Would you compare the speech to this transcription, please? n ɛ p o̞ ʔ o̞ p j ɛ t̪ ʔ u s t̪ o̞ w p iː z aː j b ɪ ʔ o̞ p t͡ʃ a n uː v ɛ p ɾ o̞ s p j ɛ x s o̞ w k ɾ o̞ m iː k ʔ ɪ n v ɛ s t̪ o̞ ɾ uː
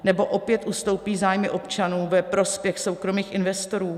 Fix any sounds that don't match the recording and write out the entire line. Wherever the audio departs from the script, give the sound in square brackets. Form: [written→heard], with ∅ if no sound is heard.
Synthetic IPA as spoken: n ɛ [p→b] o̞ ʔ o̞ p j ɛ t̪ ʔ u s t̪ o̞ w p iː z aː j [b→m] ɪ ʔ o̞ p t͡ʃ a n uː v ɛ p ɾ o̞ s p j ɛ x s o̞ w k ɾ o̞ m iː [k→x] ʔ ɪ n v ɛ s t̪ o̞ ɾ uː